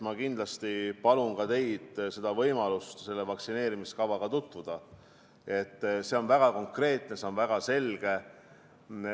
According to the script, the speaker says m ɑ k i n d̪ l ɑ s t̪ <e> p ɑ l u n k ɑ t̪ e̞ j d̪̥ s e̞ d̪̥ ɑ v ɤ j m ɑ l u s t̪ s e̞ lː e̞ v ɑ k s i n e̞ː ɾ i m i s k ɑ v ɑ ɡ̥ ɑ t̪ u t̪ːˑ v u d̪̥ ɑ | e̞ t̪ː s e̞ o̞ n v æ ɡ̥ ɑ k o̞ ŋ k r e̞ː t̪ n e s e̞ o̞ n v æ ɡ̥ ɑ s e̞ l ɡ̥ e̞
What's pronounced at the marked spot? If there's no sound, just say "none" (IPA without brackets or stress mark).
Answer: i